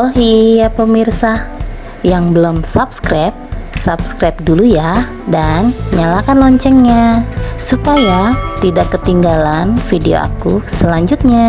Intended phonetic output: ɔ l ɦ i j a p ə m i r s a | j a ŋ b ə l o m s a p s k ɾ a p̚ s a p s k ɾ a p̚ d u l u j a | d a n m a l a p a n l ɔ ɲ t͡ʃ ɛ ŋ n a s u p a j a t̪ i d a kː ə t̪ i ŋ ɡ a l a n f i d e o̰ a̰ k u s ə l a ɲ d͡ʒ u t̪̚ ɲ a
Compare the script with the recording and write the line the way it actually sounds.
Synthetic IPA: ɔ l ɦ i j a p ə m i r s a | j a ŋ b ə l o m s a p s k ɾ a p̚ s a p s k ɾ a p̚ d u l u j a | d a n ɲ a l a k a n l ɔ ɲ t͡ʃ ɛ ŋ ɲ a s u p a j a t̪ i d a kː ə t̪ i ŋ ɡ a l a n f i d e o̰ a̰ k u s ə l a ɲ d͡ʒ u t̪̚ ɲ a